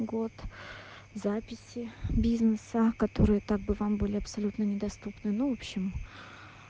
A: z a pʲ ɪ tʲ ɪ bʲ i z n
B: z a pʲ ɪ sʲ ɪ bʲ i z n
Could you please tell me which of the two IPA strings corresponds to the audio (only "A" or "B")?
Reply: B